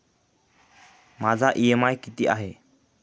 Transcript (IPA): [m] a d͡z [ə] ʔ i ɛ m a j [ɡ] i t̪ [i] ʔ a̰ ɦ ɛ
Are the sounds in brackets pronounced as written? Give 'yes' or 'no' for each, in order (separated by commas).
yes, no, no, yes